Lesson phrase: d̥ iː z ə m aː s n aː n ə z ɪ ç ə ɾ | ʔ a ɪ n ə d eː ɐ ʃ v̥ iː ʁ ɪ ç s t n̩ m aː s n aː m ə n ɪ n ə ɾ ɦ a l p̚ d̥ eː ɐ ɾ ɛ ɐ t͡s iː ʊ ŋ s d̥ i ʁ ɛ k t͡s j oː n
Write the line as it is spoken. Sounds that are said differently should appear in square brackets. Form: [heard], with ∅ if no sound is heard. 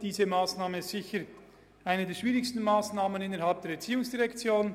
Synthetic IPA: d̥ iː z ə m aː s n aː [m] ə z ɪ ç ə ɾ | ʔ a ɪ n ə d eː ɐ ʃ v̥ iː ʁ ɪ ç s t n̩ m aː s n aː m ə n ɪ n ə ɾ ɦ a l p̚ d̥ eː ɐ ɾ ɛ ɐ t͡s iː ʊ ŋ s d̥ i ʁ ɛ k t͡s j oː n